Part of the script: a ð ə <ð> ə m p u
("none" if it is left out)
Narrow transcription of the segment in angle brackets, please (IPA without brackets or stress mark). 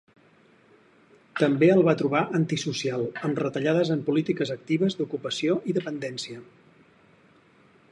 z